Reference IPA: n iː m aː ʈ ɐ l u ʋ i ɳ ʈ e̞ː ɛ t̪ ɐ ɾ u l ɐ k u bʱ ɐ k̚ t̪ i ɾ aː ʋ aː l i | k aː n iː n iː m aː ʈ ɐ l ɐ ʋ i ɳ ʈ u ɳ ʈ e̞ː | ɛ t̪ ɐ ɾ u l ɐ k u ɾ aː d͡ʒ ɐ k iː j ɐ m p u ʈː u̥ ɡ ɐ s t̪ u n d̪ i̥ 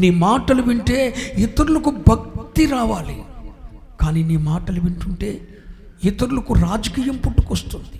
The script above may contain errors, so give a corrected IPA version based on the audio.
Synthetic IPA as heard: n iː m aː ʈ ɐ l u ʋ i ɳ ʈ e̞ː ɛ t̪ ɐ ɾ u l ɐ k u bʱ ɐ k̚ t̪ i ɾ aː ʋ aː l i | k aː n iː n iː m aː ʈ ɐ l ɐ ʋ i ɳ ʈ u ɳ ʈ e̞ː | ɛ t̪ ɐ ɾ u l ɐ k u ɾ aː d͡ʒ ɐ k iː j ɐ m p u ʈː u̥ k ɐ s t̪ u n d̪ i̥